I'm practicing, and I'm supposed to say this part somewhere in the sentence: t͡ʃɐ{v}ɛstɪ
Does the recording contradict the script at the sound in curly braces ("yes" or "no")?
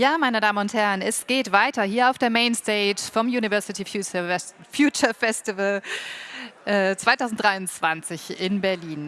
yes